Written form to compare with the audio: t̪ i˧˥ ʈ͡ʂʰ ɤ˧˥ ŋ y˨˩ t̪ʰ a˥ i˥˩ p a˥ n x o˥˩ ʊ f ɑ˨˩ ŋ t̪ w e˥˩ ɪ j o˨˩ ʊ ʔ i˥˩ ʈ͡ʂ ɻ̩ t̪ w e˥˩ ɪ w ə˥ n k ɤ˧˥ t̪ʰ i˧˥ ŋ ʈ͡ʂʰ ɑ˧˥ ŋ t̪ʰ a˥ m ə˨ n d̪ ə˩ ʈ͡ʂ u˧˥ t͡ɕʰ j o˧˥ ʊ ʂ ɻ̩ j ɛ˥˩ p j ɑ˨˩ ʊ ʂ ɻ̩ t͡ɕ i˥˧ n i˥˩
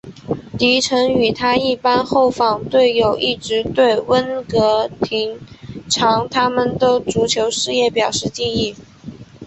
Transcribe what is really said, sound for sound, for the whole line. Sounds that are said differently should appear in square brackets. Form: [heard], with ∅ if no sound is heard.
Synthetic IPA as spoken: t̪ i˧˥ ʈ͡ʂʰ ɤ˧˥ ŋ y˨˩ t̪ʰ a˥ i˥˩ p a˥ n x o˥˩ ʊ f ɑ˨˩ ŋ t̪ w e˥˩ ɪ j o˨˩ ʊ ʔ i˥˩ ʈ͡ʂ ɻ̩ t̪ w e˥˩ ɪ w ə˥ n k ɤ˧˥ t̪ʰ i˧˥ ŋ ʈ͡ʂʰ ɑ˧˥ ŋ t̪ʰ a˥ m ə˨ n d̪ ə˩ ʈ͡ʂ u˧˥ t͡ɕʰ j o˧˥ ʊ ʂ ɻ̩ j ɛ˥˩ p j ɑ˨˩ ʊ ʂ ɻ̩ t͡ɕ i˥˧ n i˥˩